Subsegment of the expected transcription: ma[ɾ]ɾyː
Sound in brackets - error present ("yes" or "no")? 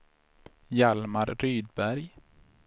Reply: no